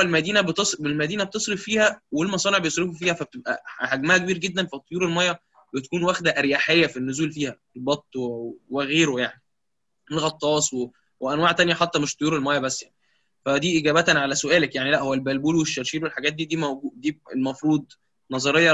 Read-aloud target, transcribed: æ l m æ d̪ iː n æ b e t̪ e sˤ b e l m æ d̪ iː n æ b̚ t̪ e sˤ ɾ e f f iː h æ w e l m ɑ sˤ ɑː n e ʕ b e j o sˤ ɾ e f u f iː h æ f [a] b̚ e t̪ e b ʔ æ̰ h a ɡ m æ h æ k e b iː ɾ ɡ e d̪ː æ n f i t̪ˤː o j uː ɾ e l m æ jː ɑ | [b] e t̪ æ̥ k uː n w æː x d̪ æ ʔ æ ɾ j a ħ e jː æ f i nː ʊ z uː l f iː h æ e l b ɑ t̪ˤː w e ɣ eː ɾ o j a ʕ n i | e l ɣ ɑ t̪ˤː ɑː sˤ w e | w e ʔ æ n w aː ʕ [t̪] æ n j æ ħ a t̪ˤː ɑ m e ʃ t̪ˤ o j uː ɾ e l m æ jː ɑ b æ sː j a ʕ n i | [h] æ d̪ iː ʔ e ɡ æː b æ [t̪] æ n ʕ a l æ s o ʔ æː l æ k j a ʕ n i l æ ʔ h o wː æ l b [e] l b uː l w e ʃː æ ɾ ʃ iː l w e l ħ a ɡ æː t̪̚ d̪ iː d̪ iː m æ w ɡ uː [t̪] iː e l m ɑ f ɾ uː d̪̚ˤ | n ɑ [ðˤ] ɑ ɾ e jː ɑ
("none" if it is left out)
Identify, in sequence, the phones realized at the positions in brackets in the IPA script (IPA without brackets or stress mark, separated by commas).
æ, b, t̪, f, t̪, æ, d̪, zˤ